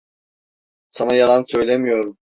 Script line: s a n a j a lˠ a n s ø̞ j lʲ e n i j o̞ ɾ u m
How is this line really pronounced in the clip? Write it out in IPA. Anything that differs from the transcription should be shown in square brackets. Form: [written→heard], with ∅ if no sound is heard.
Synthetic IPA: s a n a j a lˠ a n s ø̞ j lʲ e [n→m] i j o̞ ɾ u m